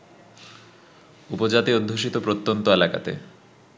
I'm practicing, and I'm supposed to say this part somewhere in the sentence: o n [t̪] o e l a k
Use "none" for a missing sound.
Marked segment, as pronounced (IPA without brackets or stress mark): t̪